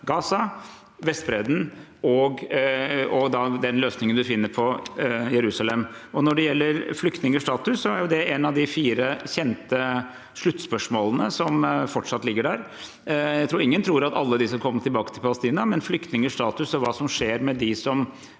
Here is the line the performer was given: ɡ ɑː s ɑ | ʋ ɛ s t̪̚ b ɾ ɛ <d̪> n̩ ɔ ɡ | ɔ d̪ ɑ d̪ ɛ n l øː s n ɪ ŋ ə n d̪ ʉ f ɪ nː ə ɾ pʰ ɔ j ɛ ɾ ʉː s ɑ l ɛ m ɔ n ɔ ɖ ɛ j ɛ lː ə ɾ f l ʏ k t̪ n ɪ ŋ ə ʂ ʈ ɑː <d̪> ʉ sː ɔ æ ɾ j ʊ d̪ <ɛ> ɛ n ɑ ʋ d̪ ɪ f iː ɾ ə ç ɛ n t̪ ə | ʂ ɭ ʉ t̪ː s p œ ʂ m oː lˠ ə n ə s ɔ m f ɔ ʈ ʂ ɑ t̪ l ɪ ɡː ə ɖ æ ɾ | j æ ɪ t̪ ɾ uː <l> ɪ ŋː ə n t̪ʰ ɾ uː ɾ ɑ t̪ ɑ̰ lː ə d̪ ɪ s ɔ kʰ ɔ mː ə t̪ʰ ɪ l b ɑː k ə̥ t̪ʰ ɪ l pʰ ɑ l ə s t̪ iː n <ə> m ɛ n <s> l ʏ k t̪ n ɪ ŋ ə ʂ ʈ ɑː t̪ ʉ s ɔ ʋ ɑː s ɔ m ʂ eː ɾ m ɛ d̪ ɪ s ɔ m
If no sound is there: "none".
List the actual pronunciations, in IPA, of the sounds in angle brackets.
d̪, t̪, ɛ, ɾ, ɑ, f

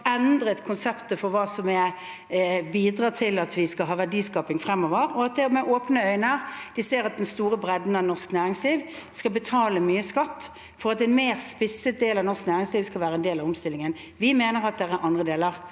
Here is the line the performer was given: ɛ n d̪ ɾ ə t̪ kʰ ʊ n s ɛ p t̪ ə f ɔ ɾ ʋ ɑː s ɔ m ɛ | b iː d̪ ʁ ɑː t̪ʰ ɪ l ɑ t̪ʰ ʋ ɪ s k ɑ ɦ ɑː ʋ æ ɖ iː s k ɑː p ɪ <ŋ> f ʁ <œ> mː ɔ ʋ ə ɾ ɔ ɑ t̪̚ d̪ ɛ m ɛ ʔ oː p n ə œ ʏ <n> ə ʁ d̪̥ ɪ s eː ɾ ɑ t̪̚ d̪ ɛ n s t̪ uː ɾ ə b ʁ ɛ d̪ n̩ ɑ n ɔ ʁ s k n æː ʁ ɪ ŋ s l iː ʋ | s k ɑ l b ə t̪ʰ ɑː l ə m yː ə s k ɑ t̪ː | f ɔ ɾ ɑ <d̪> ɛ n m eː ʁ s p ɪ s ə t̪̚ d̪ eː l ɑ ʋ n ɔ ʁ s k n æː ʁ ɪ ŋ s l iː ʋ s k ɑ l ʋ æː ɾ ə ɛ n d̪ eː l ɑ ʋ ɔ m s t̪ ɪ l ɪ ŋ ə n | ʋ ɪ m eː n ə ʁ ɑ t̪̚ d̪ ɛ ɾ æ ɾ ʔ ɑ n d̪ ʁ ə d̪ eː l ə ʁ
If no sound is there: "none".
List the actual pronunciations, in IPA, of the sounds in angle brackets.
ŋ, ɛ, n, t̪

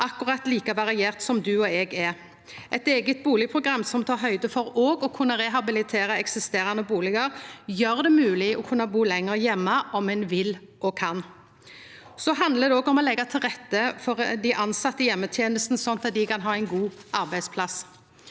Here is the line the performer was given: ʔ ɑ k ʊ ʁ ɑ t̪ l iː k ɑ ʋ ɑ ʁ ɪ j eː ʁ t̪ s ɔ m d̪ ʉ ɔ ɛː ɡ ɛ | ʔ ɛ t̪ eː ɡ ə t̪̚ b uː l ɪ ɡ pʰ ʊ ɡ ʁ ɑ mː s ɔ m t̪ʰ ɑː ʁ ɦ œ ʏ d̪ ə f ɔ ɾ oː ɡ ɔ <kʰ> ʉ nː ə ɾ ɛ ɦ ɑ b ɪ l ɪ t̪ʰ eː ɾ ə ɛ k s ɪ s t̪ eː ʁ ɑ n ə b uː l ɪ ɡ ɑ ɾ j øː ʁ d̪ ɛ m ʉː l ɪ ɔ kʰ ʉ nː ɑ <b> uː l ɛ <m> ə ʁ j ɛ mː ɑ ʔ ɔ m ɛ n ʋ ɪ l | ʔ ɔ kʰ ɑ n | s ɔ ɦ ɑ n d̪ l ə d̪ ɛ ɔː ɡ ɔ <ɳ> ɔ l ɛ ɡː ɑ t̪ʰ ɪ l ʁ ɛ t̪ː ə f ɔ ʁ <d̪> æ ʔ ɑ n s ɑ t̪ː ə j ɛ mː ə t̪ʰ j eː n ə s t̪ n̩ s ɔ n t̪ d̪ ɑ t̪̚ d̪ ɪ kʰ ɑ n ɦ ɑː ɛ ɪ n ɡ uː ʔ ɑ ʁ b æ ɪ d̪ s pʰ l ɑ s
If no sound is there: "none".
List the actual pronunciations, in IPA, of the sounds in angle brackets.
kʰ, b, ŋ, m, d̪

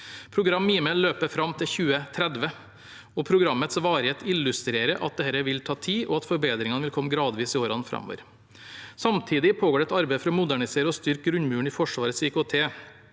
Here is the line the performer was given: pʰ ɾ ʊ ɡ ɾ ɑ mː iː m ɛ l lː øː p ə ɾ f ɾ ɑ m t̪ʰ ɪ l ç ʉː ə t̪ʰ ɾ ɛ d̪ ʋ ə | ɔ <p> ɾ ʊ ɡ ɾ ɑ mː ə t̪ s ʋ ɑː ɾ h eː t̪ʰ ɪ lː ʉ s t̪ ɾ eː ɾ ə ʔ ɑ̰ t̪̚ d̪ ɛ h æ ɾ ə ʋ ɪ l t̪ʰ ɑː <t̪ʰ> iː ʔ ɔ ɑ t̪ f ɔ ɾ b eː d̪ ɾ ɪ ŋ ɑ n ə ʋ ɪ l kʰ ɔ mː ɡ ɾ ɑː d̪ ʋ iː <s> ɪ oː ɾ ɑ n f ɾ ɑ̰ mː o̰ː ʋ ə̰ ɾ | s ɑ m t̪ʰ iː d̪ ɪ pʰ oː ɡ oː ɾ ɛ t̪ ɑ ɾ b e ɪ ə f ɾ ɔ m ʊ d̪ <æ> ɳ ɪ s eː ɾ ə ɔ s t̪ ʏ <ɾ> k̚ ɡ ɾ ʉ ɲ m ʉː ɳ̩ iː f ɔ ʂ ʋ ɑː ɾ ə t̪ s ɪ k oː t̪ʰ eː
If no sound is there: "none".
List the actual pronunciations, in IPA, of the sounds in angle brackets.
pʰ, t̪ʰ, s, æ, ɾ

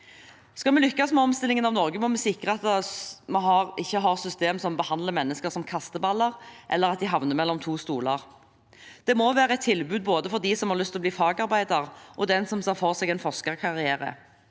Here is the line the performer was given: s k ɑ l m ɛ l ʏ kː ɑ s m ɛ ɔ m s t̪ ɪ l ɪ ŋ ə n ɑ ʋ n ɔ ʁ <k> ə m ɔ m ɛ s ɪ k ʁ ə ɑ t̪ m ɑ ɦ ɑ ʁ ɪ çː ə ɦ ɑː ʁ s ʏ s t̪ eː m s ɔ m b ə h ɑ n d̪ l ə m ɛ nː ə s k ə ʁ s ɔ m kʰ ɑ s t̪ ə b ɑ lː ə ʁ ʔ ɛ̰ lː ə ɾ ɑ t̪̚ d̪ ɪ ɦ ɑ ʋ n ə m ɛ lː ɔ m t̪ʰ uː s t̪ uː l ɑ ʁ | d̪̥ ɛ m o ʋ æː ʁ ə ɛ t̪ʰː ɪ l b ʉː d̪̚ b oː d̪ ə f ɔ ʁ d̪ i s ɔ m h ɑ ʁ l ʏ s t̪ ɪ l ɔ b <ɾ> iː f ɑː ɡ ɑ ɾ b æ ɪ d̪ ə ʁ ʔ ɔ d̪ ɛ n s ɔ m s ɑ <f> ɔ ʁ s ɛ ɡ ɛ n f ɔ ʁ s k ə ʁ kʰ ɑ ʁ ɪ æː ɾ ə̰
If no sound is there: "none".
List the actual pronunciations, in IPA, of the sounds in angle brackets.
ɡ, l, f

